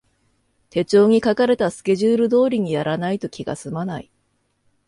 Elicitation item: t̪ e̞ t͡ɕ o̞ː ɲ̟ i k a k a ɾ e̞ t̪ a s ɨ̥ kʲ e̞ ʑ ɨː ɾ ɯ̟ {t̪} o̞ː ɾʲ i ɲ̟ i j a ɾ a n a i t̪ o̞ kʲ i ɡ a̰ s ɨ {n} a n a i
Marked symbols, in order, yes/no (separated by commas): no, no